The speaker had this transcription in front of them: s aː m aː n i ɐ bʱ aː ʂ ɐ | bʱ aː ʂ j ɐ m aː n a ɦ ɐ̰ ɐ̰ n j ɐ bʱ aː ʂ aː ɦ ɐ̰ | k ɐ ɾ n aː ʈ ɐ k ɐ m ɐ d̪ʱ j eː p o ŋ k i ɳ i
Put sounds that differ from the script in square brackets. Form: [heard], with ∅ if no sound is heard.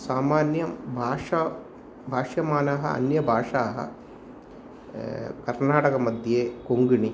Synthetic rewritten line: s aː m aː n [j] ɐ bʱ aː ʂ ɐ | bʱ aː ʂ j ɐ m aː n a ɦ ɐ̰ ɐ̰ n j ɐ bʱ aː ʂ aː ɦ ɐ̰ | k ɐ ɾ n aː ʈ ɐ k ɐ m ɐ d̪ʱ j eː [k] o ŋ [ɡ] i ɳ i